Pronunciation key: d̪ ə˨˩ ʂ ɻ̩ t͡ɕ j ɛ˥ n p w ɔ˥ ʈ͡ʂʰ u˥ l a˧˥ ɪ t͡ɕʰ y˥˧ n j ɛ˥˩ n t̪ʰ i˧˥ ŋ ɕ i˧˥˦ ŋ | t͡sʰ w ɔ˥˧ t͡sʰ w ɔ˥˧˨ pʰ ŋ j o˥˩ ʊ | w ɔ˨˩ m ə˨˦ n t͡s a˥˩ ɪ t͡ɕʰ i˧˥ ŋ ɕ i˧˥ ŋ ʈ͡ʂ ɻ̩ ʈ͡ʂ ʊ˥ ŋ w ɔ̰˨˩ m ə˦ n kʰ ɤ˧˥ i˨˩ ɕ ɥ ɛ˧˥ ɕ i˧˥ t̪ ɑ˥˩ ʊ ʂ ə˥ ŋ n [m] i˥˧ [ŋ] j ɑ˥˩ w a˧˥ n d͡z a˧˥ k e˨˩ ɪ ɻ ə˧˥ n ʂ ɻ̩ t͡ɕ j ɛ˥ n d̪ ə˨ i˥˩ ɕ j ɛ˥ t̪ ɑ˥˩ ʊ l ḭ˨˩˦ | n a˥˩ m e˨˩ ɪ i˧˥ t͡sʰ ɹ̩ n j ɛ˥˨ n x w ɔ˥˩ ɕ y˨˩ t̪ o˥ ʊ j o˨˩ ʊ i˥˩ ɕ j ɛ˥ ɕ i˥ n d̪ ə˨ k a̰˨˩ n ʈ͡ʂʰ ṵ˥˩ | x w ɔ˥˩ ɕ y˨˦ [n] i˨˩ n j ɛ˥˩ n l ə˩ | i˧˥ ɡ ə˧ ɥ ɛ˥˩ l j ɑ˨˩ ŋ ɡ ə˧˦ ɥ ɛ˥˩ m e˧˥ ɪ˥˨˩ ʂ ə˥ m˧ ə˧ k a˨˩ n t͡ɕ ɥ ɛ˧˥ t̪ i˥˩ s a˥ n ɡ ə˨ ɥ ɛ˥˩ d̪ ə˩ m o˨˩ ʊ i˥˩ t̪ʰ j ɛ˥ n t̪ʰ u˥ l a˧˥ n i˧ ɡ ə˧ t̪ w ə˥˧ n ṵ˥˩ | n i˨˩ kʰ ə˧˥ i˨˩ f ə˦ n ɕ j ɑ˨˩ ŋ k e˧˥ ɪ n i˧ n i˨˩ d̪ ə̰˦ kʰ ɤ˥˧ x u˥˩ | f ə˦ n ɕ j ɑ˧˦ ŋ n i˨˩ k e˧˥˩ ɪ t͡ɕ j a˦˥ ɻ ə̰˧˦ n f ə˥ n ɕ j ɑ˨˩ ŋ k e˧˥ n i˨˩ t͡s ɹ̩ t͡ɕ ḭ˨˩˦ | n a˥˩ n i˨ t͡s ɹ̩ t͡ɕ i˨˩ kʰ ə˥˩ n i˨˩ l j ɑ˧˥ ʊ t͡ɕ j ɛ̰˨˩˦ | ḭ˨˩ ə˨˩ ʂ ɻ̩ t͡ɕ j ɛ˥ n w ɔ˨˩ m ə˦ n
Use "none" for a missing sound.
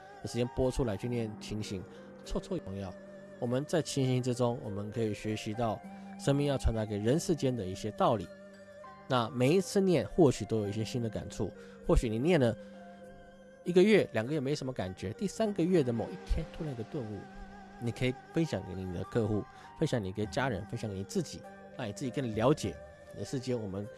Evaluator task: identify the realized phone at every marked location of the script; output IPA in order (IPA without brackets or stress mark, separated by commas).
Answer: m, ŋ, n